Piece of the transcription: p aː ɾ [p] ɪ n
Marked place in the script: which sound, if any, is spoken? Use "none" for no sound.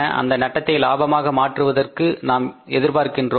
k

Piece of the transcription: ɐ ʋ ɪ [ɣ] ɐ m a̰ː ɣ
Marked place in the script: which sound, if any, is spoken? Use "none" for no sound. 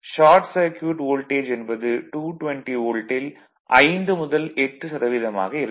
ð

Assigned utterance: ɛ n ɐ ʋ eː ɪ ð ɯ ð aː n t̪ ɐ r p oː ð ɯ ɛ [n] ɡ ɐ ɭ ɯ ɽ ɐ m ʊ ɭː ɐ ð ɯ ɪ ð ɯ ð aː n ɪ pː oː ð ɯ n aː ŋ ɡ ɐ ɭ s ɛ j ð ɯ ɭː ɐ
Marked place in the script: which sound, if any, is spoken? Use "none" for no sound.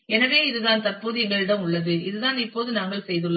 ŋ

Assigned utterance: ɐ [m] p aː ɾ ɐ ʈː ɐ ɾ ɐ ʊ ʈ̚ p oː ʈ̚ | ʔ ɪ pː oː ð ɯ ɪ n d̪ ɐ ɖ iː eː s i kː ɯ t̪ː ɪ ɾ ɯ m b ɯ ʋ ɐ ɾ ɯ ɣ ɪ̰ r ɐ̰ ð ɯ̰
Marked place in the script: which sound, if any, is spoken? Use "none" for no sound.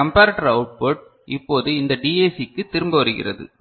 m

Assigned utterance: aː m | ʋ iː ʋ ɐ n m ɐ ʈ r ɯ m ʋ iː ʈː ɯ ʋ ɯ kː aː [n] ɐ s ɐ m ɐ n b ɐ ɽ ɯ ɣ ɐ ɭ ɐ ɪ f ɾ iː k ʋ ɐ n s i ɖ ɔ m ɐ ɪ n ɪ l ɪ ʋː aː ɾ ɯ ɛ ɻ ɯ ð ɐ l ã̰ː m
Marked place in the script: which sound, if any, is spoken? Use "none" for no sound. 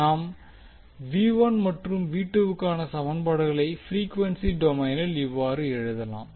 n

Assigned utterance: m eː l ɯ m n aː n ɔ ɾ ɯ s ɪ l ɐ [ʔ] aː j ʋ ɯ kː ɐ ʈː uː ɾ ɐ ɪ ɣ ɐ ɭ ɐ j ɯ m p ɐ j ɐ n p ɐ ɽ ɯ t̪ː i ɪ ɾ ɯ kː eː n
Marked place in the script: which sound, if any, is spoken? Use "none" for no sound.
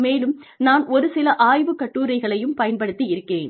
ʔ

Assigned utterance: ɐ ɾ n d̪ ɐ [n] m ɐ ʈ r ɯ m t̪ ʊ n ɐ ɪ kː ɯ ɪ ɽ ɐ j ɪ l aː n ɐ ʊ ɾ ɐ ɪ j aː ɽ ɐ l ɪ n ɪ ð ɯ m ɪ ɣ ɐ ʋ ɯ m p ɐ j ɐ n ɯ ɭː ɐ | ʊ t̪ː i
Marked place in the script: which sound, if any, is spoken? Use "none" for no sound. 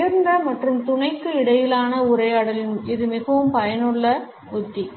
none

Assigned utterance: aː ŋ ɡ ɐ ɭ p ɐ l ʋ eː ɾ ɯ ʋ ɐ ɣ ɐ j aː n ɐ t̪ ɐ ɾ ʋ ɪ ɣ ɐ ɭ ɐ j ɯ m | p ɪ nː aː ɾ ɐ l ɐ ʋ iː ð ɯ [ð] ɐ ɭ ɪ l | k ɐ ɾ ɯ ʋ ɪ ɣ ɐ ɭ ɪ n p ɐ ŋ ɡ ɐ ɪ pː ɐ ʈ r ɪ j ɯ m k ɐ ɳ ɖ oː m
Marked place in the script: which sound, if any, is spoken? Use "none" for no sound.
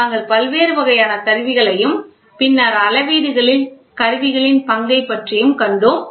ɣ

